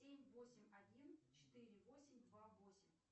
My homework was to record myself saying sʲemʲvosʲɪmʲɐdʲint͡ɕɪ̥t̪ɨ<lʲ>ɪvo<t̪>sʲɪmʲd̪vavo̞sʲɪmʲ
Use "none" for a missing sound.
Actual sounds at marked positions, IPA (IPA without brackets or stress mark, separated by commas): ɾʲ, none